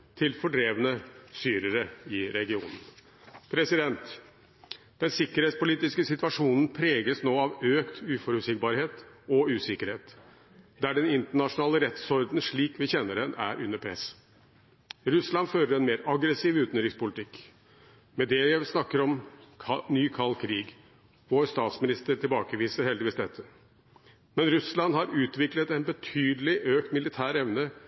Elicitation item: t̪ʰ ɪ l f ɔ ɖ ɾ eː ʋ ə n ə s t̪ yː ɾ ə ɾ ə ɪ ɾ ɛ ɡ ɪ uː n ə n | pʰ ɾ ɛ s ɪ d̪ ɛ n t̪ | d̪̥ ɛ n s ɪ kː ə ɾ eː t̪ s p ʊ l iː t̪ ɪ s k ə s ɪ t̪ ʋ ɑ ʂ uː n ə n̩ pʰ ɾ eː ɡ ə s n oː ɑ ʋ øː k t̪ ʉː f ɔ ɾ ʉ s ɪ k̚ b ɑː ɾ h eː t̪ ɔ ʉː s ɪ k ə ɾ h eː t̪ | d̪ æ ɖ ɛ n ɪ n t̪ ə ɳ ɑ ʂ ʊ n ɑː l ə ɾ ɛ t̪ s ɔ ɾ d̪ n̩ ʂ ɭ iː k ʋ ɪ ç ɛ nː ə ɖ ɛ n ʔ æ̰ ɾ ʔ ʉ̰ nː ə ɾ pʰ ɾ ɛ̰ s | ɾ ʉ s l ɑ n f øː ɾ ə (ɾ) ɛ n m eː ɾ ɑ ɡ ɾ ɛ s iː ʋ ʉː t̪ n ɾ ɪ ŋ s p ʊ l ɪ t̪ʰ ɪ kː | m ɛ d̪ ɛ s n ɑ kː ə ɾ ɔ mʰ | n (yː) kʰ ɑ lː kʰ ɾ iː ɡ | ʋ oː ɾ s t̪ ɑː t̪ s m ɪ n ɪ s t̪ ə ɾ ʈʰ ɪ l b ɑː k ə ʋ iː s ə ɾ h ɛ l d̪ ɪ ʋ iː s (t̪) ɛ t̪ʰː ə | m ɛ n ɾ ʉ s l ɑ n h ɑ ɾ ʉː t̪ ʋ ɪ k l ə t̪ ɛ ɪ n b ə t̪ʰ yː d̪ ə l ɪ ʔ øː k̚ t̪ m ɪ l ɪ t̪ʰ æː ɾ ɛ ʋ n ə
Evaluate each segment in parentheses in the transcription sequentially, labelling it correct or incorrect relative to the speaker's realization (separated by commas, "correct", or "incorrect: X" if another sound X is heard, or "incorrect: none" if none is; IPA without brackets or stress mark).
correct, correct, incorrect: d̪